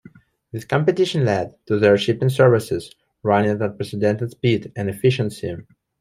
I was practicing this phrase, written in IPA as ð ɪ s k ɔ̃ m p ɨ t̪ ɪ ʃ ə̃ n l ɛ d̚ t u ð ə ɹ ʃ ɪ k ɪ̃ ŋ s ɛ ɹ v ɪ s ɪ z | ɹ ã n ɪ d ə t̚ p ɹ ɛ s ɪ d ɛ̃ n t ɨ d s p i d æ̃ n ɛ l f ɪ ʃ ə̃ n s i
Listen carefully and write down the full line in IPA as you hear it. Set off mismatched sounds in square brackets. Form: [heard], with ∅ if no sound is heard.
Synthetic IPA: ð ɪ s k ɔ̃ m p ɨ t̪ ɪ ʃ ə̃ n l ɛ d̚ t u ð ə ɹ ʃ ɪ [p] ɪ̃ ŋ s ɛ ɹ v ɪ s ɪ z | ɹ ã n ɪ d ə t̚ p ɹ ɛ s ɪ d ɛ̃ n t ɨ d s p i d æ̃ n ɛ [∅] f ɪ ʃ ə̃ n s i